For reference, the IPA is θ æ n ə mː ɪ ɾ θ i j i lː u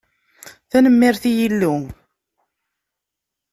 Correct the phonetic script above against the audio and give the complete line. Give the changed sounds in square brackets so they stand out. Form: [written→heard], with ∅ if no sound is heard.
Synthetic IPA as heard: θ æ n ə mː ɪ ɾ θ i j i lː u